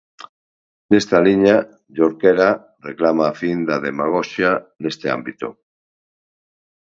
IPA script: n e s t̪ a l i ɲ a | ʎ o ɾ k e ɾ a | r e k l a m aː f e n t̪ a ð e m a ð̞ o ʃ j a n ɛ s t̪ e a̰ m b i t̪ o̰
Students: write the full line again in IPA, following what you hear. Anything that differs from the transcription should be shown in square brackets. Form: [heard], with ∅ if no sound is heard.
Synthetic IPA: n e s t̪ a l i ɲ a | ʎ o ɾ k e ɾ a | r e k l a m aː f [i] n [d̪] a ð e m a [ɣ̞] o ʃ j a n [e] s t̪ e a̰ m b i t̪ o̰